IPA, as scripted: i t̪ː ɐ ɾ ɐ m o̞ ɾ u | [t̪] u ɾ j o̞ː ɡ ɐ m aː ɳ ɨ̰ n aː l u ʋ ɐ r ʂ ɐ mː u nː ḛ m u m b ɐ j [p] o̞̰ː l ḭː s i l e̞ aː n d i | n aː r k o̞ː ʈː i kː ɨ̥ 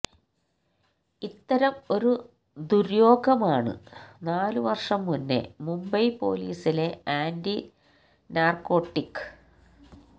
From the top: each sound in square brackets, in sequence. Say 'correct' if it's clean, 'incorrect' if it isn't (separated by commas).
incorrect, correct